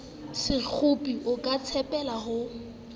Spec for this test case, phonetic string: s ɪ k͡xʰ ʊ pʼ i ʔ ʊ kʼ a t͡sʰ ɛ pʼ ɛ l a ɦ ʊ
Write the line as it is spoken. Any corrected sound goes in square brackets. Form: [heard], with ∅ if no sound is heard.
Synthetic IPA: s ɪ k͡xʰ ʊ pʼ i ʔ ʊ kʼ a t͡sʰ ɛ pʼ ɛ l a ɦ ʊ